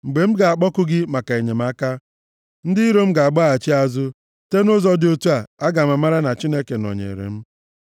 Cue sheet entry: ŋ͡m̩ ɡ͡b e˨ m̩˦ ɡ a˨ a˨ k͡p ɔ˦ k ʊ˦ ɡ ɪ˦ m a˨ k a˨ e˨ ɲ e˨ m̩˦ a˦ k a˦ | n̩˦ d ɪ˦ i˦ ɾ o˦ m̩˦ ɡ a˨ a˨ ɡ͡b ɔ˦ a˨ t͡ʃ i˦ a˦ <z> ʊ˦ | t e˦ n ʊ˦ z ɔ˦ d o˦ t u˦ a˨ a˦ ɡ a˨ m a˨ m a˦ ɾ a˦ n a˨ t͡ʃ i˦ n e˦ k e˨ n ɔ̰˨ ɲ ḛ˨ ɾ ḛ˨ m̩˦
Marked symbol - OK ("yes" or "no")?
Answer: yes